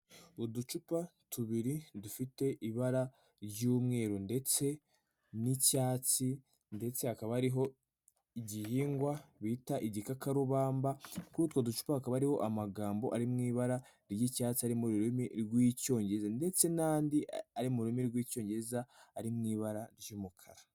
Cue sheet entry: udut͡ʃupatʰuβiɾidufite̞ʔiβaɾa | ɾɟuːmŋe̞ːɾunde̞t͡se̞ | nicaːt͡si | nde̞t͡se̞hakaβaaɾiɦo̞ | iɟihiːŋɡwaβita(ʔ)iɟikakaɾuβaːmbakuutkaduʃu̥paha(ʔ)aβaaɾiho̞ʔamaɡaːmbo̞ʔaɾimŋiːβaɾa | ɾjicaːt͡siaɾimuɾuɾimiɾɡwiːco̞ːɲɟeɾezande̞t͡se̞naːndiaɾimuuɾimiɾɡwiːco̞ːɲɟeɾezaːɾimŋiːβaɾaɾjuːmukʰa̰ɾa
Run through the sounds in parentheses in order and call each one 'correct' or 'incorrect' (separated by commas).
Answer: correct, incorrect